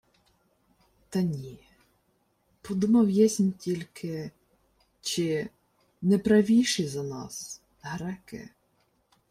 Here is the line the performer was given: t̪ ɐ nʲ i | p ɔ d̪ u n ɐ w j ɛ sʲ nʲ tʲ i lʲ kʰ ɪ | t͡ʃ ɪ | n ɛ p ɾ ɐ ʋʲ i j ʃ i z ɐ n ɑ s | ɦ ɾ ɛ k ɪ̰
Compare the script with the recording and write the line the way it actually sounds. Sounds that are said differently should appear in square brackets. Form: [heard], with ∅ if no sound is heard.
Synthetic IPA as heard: t̪ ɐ nʲ i | p ɔ d̪ u [m] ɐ w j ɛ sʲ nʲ tʲ i lʲ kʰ ɪ | t͡ʃ ɪ | n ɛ p ɾ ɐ ʋʲ i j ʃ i z ɐ n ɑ s | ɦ ɾ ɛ k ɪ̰

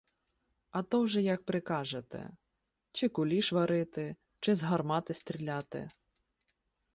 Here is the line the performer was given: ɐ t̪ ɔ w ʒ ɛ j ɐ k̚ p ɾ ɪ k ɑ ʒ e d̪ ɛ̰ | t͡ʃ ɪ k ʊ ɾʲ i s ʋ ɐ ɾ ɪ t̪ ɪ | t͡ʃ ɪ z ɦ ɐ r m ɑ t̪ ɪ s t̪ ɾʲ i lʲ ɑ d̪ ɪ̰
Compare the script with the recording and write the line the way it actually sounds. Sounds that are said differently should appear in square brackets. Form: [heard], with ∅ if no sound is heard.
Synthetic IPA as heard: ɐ t̪ ɔ w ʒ ɛ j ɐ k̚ p ɾ ɪ k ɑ ʒ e [t̪] ɛ̰ | t͡ʃ ɪ k ʊ [lʲ] i [ʃ] ʋ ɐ ɾ ɪ t̪ ɪ | t͡ʃ ɪ z ɦ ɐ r m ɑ t̪ ɪ s t̪ ɾʲ i lʲ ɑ [t̪] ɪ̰

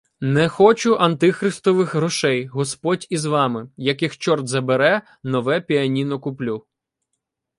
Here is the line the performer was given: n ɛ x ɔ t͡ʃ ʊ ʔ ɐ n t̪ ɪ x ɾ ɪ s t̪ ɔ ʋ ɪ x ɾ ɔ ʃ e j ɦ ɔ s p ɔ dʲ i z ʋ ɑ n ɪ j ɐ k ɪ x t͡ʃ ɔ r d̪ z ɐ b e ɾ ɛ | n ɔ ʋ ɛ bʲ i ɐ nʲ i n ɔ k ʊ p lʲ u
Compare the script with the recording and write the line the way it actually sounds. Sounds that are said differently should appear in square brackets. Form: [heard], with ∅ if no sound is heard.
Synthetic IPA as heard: n ɛ x ɔ t͡ʃ ʊ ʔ ɐ n t̪ ɪ x ɾ ɪ s t̪ ɔ ʋ ɪ x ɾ ɔ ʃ [ɛ] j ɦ ɔ s p ɔ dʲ i z ʋ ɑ [m] ɪ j ɐ k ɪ x t͡ʃ ɔ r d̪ z ɐ b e ɾ ɛ | n ɔ ʋ ɛ [pʲ] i ɐ nʲ i n ɔ k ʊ p lʲ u

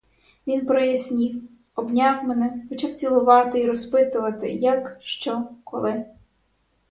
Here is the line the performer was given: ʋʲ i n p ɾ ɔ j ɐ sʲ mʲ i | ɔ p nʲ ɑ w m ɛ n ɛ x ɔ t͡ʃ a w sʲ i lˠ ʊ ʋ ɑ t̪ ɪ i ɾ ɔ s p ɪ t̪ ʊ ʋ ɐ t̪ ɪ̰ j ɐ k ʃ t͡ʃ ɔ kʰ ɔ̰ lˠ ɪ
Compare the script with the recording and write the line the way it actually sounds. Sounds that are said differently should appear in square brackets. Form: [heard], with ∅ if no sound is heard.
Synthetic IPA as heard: ʋʲ i n p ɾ ɔ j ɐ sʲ [nʲ] i | ɔ [b] nʲ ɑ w m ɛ n ɛ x ɔ t͡ʃ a w [t͡sʲ] i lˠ ʊ ʋ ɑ t̪ ɪ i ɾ ɔ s p ɪ t̪ ʊ ʋ ɐ t̪ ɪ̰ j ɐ k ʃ t͡ʃ ɔ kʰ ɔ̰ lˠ ɪ

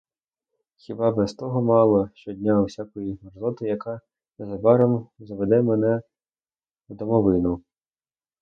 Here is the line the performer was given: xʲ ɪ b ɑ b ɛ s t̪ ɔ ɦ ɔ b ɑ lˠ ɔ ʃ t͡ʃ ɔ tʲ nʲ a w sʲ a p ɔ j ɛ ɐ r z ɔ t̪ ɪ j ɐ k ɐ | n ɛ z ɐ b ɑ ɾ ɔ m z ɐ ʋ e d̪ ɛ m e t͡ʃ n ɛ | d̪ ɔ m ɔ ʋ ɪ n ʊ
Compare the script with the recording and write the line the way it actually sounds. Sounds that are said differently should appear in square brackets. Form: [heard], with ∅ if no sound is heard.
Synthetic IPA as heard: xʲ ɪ b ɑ b ɛ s t̪ ɔ ɦ ɔ [m] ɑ lˠ ɔ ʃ t͡ʃ ɔ [dʲ] nʲ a w sʲ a [k] ɔ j [i] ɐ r z ɔ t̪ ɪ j ɐ k [ɑ] | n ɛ z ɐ b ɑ ɾ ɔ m z ɐ ʋ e d̪ ɛ m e [∅] n ɛ | d̪ ɔ m ɔ ʋ ɪ n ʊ

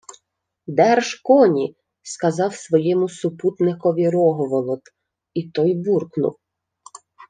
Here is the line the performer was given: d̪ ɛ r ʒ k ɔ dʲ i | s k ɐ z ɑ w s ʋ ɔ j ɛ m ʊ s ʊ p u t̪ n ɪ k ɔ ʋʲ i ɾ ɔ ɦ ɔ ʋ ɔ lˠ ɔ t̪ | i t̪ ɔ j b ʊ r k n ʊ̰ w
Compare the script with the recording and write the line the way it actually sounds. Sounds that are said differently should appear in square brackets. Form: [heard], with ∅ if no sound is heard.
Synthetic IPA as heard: d̪ ɛ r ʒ k ɔ [nʲ] i | s k ɐ z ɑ w s ʋ ɔ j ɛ m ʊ s ʊ p u t̪ n ɪ k ɔ ʋʲ i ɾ ɔ ɦ ɔ ʋ ɔ lˠ ɔ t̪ | i t̪ ɔ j b [u] r k n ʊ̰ w

